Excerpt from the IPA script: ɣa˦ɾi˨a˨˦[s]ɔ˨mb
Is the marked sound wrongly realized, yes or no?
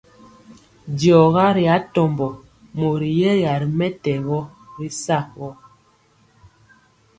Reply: yes